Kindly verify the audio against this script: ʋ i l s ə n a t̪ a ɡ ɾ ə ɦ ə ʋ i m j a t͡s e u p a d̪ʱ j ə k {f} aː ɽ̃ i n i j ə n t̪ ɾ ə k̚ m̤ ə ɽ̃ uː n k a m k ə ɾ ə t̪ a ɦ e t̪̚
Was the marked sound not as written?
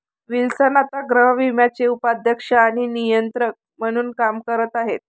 yes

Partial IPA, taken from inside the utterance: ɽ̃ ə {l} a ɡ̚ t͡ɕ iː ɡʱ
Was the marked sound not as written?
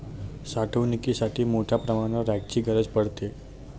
yes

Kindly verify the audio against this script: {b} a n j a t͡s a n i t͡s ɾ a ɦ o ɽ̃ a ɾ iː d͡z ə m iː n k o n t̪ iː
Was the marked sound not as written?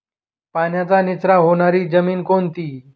yes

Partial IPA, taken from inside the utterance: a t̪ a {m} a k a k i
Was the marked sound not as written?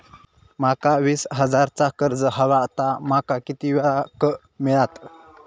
no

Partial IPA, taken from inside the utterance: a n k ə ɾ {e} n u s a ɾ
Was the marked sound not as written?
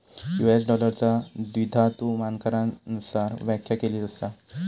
yes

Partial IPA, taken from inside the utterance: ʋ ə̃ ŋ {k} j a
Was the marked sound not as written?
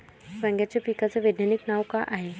yes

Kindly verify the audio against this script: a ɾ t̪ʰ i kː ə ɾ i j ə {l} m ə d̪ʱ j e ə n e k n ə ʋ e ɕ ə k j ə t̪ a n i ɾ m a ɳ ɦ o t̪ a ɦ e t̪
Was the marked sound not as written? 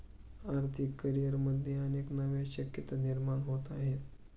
yes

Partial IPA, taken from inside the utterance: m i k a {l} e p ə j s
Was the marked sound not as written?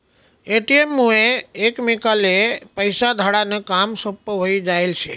no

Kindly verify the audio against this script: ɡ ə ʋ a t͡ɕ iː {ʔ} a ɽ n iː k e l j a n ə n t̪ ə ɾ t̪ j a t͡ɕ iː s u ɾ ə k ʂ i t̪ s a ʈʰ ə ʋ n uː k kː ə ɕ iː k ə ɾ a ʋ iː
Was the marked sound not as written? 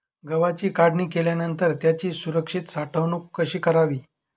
yes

